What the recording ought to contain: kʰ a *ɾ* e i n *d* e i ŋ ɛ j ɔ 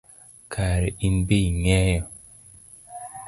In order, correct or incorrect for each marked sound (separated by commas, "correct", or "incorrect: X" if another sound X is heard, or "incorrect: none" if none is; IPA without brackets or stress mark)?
correct, incorrect: b